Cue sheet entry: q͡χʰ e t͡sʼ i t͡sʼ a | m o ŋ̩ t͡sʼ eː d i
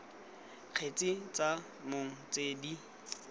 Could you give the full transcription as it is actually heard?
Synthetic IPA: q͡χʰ e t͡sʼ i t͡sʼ a | m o ŋ̩ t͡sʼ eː d i